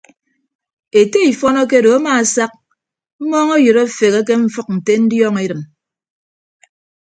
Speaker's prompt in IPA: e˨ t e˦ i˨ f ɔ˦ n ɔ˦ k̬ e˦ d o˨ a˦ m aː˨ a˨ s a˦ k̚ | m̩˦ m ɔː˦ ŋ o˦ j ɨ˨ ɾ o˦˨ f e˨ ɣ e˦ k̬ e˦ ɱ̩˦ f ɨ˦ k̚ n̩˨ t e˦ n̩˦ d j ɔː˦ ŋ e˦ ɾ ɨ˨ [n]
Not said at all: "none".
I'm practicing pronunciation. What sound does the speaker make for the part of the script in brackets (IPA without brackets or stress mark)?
m